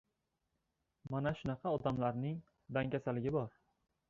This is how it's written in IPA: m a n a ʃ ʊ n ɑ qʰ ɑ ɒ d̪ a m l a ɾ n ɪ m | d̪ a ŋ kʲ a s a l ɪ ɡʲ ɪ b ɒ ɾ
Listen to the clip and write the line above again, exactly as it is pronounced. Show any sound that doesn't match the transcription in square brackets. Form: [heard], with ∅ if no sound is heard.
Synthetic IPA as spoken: m a n a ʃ ʊ n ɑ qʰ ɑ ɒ d̪ a m l a ɾ n ɪ [ŋ] | d̪ a ŋ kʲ a s a l ɪ ɡʲ ɪ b ɒ ɾ